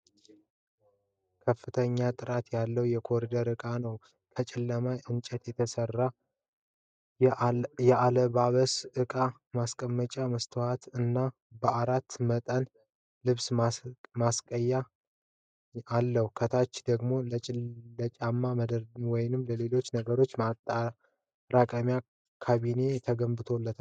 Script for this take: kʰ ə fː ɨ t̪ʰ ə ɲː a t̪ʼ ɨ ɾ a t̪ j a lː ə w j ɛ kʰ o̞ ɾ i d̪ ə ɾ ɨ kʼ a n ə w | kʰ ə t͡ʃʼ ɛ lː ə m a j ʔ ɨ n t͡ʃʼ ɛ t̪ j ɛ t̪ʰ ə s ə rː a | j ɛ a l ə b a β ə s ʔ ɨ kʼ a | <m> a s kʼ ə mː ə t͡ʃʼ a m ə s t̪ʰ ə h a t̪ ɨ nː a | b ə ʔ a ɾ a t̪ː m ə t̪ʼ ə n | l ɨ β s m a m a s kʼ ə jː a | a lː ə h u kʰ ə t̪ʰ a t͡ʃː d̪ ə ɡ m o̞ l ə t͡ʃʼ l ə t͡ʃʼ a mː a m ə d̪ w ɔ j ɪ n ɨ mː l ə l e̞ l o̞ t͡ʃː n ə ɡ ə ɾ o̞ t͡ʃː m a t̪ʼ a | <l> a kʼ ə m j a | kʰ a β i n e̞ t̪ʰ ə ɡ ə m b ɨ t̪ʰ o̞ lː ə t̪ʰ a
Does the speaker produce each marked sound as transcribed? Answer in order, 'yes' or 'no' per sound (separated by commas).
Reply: yes, no